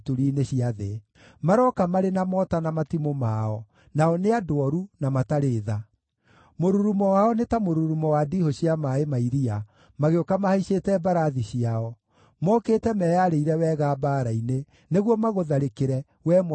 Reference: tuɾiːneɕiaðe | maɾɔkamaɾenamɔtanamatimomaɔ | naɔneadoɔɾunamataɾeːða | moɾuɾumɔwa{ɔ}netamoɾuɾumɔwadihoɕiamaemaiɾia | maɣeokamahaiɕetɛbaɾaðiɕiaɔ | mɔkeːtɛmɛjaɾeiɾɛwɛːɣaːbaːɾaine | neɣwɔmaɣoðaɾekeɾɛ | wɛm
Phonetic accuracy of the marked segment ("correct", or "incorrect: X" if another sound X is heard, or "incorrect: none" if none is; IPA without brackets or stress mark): correct